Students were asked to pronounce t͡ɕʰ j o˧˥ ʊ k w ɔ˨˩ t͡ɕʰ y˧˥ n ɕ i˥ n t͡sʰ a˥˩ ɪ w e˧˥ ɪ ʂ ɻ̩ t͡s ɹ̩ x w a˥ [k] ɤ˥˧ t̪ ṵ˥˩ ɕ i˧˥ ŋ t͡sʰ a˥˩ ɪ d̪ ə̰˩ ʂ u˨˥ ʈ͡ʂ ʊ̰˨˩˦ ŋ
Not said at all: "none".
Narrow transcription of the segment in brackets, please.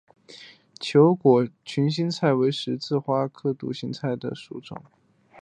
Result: kʰ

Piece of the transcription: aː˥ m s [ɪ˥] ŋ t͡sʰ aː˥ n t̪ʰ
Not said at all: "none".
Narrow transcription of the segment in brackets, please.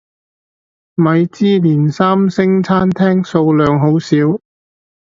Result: ɪ˥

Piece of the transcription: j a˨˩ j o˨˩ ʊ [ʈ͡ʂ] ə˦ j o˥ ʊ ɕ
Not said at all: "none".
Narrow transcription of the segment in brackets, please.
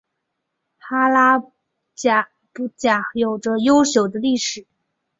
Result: ʈ͡ʂ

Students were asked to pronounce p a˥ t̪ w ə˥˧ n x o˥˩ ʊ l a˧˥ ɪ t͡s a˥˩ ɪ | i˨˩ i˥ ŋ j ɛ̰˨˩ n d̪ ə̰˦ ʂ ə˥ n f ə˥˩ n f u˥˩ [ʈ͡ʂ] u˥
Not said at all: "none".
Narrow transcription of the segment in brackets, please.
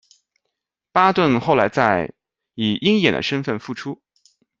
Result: ʈ͡ʂʰ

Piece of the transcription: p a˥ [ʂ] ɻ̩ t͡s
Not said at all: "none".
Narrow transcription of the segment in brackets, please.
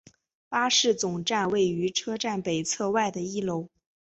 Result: ʂ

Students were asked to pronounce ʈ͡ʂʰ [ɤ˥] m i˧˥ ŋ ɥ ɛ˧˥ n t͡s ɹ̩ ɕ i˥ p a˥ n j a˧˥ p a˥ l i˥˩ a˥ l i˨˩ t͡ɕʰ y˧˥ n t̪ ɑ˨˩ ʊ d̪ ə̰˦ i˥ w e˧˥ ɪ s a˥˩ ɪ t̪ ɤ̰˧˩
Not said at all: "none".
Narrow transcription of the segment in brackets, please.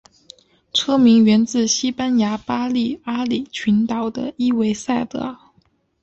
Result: ɤ˥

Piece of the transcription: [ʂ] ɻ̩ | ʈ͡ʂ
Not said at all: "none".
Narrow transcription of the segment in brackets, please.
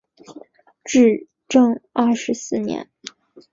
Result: ʈ͡ʂ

